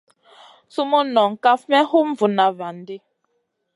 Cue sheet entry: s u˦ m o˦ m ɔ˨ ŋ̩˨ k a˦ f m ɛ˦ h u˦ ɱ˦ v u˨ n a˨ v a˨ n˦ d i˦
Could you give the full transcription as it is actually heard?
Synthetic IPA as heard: s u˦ m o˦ n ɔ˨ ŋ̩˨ k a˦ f m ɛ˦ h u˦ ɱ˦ v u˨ n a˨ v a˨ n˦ d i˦

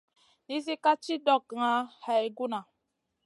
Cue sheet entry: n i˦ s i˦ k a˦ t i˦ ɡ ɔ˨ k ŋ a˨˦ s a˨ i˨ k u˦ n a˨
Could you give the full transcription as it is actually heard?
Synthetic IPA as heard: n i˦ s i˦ k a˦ t͡ʃ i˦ d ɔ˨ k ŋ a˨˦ h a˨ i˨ ɡ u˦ n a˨

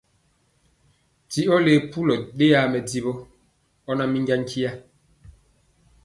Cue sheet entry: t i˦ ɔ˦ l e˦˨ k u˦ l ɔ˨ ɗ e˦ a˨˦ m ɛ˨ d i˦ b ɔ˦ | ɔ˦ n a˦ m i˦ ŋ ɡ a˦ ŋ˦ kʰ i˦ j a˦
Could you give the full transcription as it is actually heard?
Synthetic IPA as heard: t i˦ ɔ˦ l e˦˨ p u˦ l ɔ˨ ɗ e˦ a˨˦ m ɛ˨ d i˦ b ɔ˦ | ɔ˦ n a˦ m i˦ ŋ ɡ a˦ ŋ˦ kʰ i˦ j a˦

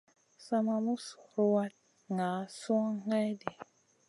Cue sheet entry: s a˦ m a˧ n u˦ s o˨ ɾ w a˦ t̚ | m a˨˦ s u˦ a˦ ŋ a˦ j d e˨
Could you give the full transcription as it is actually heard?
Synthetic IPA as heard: s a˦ m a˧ m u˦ s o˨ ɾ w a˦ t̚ | ŋ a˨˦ s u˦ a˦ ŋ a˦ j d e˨

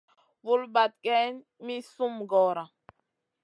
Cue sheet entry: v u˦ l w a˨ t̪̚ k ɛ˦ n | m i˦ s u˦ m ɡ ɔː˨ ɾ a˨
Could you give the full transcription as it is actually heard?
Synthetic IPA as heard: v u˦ l b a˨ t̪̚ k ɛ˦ n | m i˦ s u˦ m ɡ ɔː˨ ɾ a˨

